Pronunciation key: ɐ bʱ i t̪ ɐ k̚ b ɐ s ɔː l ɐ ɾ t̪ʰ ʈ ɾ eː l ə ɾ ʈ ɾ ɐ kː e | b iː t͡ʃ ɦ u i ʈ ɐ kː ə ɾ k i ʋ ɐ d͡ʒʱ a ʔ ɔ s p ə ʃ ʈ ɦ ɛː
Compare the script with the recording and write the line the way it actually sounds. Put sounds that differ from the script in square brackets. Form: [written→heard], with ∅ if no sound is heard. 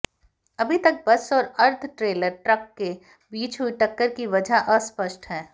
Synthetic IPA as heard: ɐ bʱ i t̪ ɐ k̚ b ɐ s ɔː [l→ɾ] ɐ ɾ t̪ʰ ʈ ɾ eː l ə ɾ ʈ ɾ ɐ kː e | b iː t͡ʃ ɦ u i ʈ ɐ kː ə ɾ k i ʋ ɐ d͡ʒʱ a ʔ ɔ s p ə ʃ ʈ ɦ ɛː